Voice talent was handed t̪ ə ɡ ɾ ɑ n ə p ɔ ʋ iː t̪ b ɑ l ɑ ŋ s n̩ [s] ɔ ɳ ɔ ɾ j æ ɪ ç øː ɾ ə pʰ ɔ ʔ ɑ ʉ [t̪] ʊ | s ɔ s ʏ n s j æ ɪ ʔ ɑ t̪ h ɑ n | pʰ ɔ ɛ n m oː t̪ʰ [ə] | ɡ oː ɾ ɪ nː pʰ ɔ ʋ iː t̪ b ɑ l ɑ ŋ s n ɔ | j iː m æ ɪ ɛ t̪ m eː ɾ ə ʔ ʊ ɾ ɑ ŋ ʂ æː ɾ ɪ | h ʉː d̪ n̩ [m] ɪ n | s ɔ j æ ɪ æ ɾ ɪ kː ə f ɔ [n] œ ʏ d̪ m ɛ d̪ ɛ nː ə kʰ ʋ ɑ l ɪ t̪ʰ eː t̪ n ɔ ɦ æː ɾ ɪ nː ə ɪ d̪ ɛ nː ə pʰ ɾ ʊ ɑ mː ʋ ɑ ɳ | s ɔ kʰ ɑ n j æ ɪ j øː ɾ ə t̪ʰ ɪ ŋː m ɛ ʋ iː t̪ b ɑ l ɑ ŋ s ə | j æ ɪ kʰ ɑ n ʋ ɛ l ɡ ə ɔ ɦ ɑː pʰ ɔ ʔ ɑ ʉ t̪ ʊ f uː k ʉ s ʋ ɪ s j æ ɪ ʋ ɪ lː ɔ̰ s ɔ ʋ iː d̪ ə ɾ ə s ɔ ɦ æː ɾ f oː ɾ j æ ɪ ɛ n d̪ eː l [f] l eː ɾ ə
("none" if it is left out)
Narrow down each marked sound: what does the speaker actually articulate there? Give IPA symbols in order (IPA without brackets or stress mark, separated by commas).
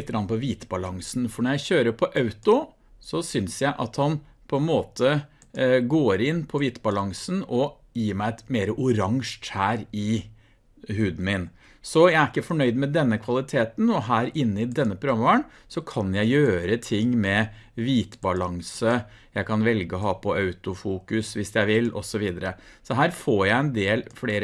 f, t̪, ə, m, ɳ, f